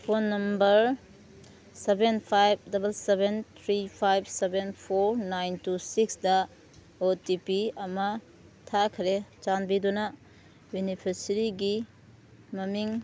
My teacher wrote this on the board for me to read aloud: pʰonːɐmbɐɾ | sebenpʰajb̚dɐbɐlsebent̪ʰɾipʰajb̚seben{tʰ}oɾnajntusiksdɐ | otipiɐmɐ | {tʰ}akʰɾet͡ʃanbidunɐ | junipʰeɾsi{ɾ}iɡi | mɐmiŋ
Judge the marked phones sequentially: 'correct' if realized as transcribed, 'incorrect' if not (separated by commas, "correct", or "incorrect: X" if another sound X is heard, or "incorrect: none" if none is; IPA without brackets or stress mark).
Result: incorrect: pʰ, correct, correct